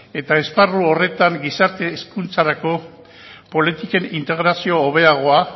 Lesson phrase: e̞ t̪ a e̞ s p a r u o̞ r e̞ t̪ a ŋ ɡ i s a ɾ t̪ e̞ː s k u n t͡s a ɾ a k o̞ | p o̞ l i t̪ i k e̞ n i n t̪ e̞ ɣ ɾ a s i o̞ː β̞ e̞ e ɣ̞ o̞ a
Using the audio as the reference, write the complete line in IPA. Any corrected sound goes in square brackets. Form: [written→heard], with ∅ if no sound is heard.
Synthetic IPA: e̞ t̪ a e̞ s p a r u o̞ r e̞ t̪ a ŋ ɡ i s a ɾ t̪ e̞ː s k u n t͡s a ɾ a k o̞ | p o̞ l i t̪ i k e̞ n i n t̪ e̞ ɣ ɾ a s i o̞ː β̞ e̞ [e→a] ɣ̞ o̞ a